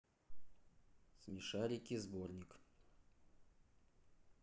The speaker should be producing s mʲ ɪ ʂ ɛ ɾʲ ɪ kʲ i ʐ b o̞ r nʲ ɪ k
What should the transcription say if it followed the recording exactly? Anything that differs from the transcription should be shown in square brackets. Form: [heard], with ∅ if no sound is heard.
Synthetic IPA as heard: s mʲ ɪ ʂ [a] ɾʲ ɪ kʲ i [z] b o̞ r nʲ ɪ k